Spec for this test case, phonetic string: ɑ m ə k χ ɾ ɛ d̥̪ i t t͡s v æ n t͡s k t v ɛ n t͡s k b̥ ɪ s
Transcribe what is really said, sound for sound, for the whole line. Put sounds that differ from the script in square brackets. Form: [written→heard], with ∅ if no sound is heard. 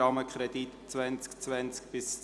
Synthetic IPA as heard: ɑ m ə k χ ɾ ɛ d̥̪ i t t͡s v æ n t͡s k [t→t͡s] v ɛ n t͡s k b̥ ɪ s